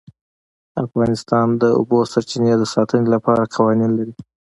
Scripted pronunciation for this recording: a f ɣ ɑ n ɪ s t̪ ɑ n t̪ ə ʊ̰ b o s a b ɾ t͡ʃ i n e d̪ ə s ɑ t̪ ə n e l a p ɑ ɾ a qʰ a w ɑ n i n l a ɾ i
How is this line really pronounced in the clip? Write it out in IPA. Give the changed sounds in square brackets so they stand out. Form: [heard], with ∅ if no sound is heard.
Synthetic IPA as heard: a f ɣ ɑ n ɪ s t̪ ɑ n [d̪] ə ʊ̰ b o s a [∅] ɾ t͡ʃ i n e d̪ ə s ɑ t̪ ə n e l a p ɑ ɾ a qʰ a w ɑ n i n l a ɾ i